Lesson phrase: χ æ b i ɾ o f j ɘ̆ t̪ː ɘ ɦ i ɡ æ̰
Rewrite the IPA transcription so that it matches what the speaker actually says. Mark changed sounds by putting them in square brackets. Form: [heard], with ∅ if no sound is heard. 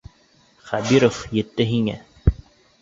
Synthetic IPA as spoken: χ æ b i ɾ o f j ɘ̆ t̪ː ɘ ɦ i [ŋ] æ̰

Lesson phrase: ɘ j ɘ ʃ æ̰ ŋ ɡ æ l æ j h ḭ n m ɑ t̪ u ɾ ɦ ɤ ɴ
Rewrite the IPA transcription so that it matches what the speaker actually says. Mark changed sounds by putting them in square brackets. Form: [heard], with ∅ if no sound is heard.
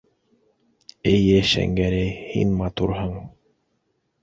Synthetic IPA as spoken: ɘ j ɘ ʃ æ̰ ŋ ɡ æ [ɾ] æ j h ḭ n m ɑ t̪ u ɾ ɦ ɤ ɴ

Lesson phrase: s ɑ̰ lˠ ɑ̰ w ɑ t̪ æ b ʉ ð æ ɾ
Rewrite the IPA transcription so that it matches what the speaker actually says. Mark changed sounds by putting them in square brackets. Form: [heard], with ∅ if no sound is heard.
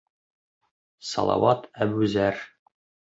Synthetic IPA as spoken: s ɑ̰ lˠ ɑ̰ w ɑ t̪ æ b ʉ [z] æ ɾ

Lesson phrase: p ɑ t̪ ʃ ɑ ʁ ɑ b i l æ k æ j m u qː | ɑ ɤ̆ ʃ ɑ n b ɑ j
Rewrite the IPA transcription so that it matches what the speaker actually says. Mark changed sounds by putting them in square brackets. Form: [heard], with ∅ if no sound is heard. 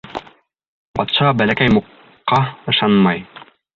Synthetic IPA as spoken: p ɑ t̪ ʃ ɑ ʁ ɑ b [æ] l æ k æ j m u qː | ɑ ɤ̆ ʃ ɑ n [m] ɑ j

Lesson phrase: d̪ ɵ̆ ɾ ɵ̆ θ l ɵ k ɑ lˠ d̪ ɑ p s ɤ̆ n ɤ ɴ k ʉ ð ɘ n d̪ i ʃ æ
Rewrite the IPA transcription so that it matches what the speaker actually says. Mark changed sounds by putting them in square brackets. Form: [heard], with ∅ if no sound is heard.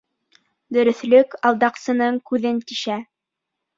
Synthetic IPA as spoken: d̪ ɵ̆ ɾ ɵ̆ θ l ɵ k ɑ lˠ d̪ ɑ [q] s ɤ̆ n ɤ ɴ k ʉ ð ɘ n [t̪] i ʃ æ

